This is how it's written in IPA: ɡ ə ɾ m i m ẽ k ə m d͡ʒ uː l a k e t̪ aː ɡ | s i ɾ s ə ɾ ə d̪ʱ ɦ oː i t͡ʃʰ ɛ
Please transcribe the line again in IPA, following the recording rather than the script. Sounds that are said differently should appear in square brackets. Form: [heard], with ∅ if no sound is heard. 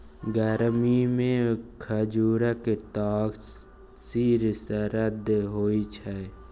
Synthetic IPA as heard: ɡ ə ɾ m i m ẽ [kʰ] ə [∅] d͡ʒ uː [ɾ] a k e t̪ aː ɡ | s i ɾ s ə ɾ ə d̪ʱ ɦ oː i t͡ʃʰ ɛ